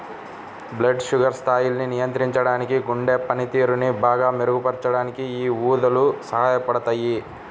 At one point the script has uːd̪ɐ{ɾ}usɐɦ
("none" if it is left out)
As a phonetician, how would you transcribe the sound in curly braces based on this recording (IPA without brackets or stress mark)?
l